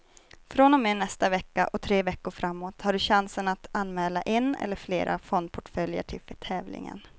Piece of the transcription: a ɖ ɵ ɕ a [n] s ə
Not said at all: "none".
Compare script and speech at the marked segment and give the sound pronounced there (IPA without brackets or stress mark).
n